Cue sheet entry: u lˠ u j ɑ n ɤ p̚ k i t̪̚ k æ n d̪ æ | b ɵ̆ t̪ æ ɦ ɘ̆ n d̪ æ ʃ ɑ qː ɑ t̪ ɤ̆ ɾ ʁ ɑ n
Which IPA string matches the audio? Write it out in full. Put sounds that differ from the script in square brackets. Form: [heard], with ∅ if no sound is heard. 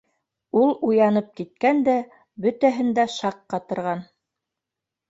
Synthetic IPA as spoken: u lˠ u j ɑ n ɤ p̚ k i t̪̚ k æ n d̪ æ | b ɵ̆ t̪ æ ɦ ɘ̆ n d̪ æ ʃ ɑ qː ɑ t̪ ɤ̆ ɾ ʁ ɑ n